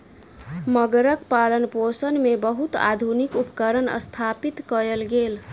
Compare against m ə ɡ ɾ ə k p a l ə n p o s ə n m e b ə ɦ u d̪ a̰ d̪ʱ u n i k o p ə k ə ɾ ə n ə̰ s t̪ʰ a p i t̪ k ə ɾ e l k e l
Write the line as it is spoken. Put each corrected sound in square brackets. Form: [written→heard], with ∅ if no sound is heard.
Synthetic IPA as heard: m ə ɡ ɾ ə k p a l ə n p o s ə n m e b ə ɦ u [d̪→t̪] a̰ d̪ʱ u n i k [o→u] p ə k ə ɾ ə n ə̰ s t̪ʰ a p i t̪ k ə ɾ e l [k→ɡ] e l